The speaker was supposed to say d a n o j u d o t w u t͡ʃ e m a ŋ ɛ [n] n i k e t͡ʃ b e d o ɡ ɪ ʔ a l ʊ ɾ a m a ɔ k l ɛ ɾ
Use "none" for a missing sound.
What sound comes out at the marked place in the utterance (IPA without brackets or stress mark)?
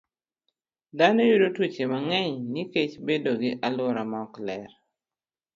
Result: ɲ